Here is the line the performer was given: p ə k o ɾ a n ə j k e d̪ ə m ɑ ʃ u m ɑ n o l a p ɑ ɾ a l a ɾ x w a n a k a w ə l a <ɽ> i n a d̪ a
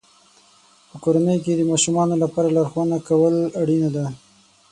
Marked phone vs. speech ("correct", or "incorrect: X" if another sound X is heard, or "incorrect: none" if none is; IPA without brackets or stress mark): correct